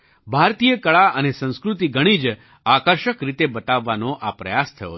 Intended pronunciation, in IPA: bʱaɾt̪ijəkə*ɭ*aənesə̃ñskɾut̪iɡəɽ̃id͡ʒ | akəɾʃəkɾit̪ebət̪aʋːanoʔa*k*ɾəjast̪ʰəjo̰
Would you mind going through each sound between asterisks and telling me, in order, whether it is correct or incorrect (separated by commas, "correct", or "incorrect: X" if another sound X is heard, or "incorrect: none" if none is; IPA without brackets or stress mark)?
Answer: correct, incorrect: p